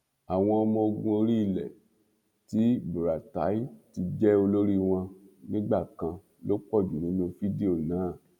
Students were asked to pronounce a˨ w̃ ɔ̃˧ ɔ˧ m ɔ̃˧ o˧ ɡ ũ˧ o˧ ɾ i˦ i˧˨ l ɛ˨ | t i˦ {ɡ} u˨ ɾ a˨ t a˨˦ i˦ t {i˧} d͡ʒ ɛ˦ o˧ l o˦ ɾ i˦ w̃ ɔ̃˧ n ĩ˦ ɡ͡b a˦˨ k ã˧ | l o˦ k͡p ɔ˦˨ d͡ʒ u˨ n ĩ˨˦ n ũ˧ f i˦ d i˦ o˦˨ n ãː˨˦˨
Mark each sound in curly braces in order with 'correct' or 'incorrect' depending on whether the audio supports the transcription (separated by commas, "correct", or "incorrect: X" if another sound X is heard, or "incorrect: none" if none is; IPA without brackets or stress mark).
incorrect: b, correct